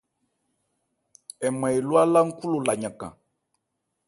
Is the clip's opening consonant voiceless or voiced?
voiced